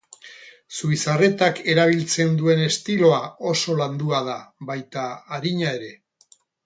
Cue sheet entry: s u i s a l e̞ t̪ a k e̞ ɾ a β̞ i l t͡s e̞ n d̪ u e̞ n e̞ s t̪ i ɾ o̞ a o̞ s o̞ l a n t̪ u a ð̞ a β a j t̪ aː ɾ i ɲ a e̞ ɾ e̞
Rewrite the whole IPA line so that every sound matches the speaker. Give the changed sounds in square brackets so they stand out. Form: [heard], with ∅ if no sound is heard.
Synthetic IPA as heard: s u i s a [r] e̞ t̪ a k e̞ ɾ a β̞ i l t͡s e̞ n d̪ u e̞ n e̞ s t̪ i [l] o̞ a o̞ s o̞ l a n [d̪] u a ð̞ a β a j t̪ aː ɾ i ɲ a e̞ ɾ e̞

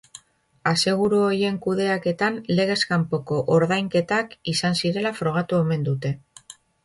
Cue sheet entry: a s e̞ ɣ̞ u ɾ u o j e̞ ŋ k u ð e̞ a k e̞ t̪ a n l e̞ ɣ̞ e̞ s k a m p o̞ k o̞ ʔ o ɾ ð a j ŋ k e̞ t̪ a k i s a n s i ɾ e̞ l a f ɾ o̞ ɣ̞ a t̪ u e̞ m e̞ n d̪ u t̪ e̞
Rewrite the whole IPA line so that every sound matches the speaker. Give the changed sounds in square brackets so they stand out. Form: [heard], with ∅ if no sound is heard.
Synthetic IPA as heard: a s e̞ ɣ̞ u ɾ u o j e̞ ŋ k u ð e̞ a k e̞ t̪ a n l e̞ ɣ̞ e̞ s k a m p o̞ k o̞ ʔ o ɾ ð a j ŋ k e̞ t̪ a k i s a n s i ɾ e̞ l a f ɾ o̞ ɣ̞ a t̪ u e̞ m e̞ n d̪ u t̪ e̞

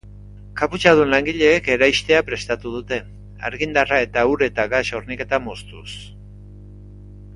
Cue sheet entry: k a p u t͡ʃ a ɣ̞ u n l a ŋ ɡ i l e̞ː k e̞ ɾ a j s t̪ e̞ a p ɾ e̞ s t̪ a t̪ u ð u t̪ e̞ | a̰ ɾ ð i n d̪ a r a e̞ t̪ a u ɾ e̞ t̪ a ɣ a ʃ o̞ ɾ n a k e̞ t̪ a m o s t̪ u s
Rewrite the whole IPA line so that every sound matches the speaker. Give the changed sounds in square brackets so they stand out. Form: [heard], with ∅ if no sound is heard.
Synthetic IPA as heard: k a p u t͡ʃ a [ð̞] u n l a ŋ ɡ i [ʎ] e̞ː k e̞ ɾ a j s t̪ e̞ a p ɾ e̞ s t̪ a t̪ u ð u t̪ e̞ | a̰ ɾ [ɣ] i n d̪ a r a e̞ t̪ a u ɾ e̞ t̪ a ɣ a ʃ o̞ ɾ n [i] k e̞ t̪ a m o s t̪ u s

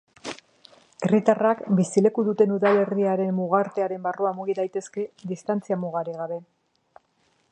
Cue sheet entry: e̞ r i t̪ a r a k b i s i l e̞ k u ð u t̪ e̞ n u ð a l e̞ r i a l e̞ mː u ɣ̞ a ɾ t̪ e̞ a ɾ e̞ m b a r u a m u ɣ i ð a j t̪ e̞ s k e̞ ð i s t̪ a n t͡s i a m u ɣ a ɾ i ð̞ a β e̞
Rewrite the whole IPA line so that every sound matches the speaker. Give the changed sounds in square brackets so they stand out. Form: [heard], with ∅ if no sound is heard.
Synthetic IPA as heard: e̞ r i t̪ a r a k b i s i l e̞ k u ð u t̪ e̞ n u ð a l e̞ r i a [ɾ] e̞ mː u ɣ̞ a ɾ t̪ e̞ a ɾ e̞ m b a r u a m u ɣ i ð a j t̪ e̞ s k e̞ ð i s t̪ a n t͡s i a m u ɣ a ɾ i [ɣ̞] a β e̞

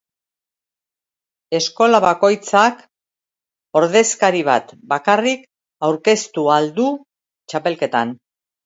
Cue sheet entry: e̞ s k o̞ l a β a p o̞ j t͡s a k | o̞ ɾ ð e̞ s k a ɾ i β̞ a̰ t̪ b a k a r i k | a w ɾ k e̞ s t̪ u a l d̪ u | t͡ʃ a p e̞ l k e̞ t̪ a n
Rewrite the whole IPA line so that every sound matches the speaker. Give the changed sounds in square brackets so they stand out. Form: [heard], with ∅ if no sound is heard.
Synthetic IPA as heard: e̞ s k o̞ l a β a [k] o̞ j t͡s a k | o̞ ɾ ð e̞ s k a ɾ i β̞ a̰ t̪ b a k a r i k | a w ɾ k e̞ s t̪ u a l d̪ u | t͡ʃ a p e̞ l k e̞ t̪ a n

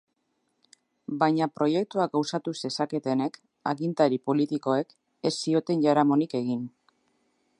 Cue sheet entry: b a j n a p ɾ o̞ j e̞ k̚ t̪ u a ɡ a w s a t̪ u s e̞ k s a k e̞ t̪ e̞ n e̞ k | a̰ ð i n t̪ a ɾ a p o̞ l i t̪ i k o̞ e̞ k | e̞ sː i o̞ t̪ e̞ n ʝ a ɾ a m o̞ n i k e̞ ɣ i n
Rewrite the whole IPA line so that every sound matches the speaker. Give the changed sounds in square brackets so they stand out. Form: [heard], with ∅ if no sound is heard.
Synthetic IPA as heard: b a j [ɲ] a p ɾ o̞ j e̞ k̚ t̪ u a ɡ a w s a t̪ u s e̞ [∅] s a k e̞ t̪ e̞ n e̞ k | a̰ [ɣ] i n t̪ a ɾ [i] p o̞ l i t̪ i k o̞ e̞ k | e̞ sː i o̞ t̪ e̞ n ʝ a ɾ a m o̞ n i k e̞ ɣ i n

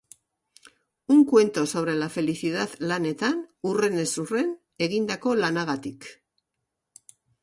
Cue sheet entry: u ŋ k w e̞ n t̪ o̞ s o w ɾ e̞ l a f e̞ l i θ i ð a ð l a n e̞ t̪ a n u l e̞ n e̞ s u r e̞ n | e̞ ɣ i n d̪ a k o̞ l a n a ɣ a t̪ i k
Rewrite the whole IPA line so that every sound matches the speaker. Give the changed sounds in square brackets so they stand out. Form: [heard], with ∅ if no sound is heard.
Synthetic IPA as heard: u ŋ k w e̞ n t̪ o̞ s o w ɾ e̞ l a f e̞ l i θ i ð a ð l a n e̞ t̪ a n u [r] e̞ n e̞ s u r e̞ n | e̞ ɣ i n d̪ a k o̞ l a n a ɣ a t̪ i k

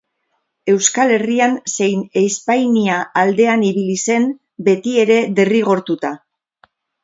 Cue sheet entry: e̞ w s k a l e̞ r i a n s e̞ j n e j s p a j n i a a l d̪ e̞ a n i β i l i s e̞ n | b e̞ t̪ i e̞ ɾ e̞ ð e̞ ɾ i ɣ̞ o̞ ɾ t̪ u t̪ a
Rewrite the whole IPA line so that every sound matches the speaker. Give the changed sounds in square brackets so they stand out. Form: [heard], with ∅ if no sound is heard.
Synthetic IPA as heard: e̞ w s k a l e̞ r i a n s e̞ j n e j s p a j n i a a l d̪ e̞ a n i β i l i s e̞ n | b e̞ t̪ i e̞ ɾ e̞ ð e̞ [r] i ɣ̞ o̞ ɾ t̪ u t̪ a

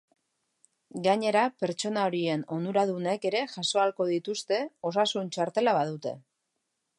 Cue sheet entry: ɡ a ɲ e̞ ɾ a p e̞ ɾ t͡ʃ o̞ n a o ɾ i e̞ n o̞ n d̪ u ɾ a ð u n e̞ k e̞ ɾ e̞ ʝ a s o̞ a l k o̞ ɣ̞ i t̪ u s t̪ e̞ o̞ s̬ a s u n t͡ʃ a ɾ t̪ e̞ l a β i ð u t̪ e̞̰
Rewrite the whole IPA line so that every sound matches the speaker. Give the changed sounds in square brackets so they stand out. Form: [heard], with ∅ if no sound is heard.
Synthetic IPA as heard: ɡ a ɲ e̞ ɾ a p e̞ ɾ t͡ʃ o̞ n a o ɾ i e̞ n o̞ n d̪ u ɾ a ð u n e̞ k e̞ ɾ e̞ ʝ a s o̞ a l k o̞ [ð̞] i t̪ u s t̪ e̞ o̞ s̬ a s u n t͡ʃ a ɾ t̪ e̞ l a β [a] ð u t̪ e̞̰

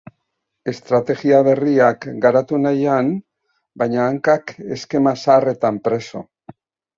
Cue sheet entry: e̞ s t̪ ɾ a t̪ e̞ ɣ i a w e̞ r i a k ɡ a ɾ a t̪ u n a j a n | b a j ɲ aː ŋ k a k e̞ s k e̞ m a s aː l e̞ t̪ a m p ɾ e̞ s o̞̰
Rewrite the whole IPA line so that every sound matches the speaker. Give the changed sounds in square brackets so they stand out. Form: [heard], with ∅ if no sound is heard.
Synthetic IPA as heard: e̞ s t̪ ɾ a t̪ e̞ ɣ i a [β] e̞ r i a k ɡ a ɾ a t̪ u n a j a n | b a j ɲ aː ŋ k a k e̞ s k e̞ m a s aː [r] e̞ t̪ a m p ɾ e̞ s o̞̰

